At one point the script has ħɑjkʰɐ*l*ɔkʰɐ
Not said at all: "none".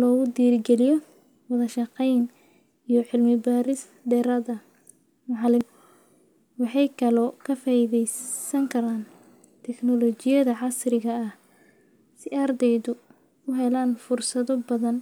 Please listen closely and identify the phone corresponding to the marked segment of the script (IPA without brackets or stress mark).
l